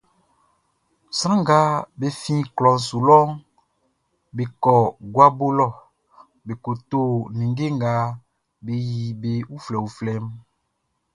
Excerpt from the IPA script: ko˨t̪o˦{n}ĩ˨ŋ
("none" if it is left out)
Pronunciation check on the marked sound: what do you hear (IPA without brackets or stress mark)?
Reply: n